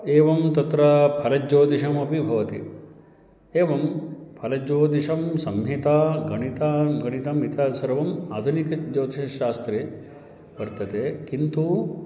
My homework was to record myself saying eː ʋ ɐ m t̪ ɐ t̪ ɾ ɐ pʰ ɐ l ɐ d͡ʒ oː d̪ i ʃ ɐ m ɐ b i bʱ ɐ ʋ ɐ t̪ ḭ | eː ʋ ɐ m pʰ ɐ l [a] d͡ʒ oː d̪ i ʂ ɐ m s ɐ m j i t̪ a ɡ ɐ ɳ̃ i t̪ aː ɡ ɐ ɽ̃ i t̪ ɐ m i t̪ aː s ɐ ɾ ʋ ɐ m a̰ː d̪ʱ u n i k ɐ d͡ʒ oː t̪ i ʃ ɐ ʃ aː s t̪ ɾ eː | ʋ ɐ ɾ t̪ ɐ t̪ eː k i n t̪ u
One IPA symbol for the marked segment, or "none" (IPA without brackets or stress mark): ɐ